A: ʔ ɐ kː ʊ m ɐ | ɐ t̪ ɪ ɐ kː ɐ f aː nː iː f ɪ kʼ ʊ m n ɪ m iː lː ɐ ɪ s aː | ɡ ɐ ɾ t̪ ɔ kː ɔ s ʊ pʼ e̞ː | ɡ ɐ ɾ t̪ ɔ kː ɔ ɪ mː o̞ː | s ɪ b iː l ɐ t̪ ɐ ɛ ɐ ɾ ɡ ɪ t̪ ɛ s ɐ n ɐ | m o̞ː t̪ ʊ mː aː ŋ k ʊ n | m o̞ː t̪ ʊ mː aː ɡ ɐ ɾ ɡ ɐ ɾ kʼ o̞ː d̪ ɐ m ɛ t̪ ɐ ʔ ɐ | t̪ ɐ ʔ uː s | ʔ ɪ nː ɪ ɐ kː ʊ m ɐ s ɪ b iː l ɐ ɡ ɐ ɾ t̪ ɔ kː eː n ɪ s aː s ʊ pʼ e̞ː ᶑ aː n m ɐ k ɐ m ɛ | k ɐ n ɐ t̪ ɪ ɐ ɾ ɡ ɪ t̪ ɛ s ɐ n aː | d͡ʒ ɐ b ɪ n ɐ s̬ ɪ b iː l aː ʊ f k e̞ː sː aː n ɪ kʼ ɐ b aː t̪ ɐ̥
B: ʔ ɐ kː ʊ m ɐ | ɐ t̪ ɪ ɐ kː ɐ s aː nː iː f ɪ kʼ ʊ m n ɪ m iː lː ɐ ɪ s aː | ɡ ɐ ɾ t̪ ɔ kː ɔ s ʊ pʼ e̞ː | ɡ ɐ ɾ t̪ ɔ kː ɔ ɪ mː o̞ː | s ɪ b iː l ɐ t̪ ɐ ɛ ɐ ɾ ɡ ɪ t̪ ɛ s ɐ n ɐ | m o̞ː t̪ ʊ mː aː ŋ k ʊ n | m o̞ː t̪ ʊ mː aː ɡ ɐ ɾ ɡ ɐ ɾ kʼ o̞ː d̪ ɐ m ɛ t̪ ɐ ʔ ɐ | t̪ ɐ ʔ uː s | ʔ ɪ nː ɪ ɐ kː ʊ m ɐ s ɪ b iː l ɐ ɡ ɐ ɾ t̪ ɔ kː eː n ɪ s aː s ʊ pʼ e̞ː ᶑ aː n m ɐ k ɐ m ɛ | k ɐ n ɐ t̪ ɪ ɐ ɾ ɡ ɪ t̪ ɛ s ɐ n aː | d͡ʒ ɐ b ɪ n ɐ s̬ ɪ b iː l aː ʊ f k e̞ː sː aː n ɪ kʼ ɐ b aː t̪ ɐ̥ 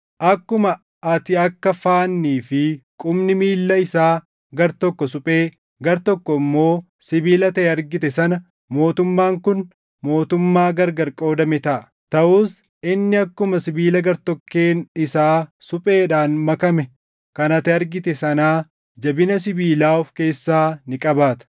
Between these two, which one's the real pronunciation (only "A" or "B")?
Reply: A